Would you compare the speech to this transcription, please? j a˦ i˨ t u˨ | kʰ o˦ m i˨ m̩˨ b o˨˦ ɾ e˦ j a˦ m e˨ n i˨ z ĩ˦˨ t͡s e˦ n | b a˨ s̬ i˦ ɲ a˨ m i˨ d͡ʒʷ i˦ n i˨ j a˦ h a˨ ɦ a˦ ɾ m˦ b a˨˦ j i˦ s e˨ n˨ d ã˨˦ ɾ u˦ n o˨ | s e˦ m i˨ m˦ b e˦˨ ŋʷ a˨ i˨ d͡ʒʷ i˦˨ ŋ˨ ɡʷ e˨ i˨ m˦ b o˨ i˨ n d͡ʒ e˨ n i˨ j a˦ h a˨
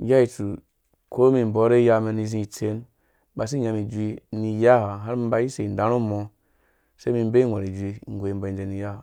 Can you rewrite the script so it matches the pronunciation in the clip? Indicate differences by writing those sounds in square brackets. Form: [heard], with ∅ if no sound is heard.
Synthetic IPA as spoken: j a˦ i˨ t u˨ | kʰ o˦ m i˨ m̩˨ b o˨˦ ɾ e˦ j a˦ m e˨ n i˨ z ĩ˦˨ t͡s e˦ n | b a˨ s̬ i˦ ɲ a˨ m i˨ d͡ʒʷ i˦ n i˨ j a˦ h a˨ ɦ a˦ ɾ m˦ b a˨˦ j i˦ s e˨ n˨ d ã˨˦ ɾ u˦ [m] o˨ | s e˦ m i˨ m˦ b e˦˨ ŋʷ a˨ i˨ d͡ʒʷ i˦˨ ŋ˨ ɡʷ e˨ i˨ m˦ b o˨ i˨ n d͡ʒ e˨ n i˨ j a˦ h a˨